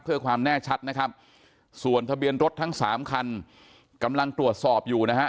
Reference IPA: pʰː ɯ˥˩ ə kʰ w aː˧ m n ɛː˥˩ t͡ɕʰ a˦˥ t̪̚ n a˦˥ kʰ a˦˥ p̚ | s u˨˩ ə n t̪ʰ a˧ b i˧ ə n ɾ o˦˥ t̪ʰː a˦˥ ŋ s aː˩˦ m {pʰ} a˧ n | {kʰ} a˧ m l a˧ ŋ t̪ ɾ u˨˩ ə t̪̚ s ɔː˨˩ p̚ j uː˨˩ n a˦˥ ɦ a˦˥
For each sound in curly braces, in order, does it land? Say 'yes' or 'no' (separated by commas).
no, no